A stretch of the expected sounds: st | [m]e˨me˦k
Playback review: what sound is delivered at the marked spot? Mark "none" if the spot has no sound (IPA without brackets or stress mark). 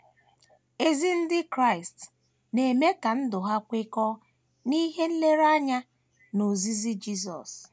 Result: n